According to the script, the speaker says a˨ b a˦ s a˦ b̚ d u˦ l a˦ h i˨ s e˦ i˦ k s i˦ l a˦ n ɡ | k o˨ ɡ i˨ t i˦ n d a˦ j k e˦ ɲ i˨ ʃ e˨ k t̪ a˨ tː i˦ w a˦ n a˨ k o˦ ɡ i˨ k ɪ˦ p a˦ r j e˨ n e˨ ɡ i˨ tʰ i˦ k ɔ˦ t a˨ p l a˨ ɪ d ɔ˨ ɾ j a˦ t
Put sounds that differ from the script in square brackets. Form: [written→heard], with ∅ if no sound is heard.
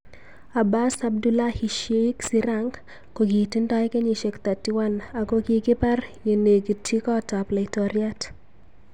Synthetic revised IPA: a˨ b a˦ s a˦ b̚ d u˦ l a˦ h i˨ [s→ʃ] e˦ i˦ k s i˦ [l→ɾ] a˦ [n→ŋ] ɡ | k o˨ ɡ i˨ t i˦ n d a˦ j k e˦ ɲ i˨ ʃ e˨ k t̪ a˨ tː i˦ w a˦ n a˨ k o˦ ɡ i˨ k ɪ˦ p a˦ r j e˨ n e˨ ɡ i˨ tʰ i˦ k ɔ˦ t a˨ p l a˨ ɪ [d→t] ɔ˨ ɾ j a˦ t